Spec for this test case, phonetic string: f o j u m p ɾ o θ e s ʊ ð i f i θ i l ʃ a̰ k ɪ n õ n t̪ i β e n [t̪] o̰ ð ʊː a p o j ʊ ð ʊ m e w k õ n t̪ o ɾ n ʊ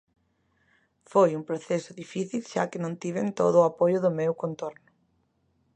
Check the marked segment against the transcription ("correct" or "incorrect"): correct